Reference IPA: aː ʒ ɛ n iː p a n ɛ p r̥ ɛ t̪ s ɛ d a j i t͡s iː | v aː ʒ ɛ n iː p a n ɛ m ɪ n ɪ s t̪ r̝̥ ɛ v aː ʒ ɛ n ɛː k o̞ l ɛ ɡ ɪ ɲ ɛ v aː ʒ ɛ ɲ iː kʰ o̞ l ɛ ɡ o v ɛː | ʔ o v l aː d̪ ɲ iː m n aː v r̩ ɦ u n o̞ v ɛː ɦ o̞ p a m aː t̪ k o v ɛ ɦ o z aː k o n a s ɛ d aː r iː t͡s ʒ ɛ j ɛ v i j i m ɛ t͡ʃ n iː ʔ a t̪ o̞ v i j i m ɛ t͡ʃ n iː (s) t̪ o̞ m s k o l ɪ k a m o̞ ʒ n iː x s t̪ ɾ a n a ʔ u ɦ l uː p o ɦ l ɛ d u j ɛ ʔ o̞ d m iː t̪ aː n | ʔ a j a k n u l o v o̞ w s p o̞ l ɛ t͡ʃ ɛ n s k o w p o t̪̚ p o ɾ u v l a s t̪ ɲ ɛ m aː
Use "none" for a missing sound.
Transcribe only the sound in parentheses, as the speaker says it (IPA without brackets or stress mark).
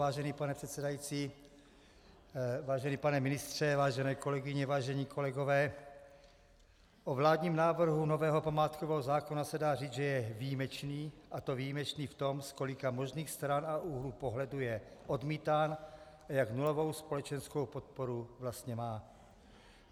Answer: f